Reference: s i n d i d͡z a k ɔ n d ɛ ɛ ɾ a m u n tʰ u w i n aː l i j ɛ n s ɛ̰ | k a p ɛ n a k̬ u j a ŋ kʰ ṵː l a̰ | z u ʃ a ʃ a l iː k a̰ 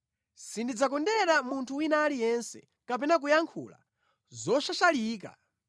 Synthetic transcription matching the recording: s i n d i d͡z a k ɔ n d ɛ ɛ ɾ a m u n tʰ u w i n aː l i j ɛ n s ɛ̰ | k a p ɛ n a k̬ u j a ŋ kʰ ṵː l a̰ | z ɔ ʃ a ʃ a l iː k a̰